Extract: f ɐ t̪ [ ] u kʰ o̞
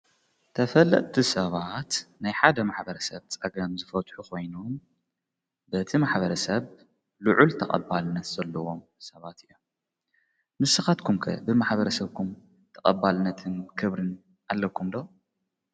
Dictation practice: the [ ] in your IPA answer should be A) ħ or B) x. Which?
A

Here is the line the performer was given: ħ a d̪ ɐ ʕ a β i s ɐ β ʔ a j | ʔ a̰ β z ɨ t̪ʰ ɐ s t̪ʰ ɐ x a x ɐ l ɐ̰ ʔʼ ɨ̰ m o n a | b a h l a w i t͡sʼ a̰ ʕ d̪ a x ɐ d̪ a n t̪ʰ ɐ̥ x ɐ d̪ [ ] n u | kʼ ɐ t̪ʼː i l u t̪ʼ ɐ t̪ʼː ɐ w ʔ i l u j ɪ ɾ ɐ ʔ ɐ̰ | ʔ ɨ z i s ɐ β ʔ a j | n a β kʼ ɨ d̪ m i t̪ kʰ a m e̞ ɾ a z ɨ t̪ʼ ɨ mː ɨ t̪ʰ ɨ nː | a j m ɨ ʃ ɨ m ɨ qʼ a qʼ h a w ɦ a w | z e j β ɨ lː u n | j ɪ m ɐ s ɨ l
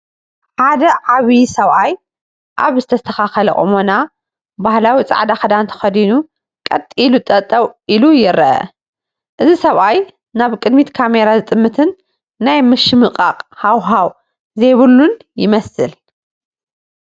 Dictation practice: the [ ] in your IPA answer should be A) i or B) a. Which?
A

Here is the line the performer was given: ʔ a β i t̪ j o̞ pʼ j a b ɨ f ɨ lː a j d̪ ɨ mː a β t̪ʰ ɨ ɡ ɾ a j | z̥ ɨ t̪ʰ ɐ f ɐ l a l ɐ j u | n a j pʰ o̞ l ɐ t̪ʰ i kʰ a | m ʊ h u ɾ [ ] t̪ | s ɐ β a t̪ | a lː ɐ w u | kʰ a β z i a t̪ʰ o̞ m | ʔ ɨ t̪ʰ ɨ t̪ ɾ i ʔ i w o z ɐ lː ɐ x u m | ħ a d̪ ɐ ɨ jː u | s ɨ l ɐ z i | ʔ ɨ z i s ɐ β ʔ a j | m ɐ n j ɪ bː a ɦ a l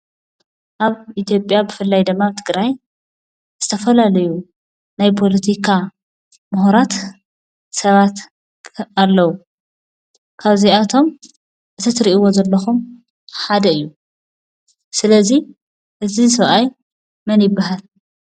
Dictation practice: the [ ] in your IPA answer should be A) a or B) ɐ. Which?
A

